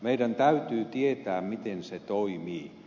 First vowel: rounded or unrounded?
unrounded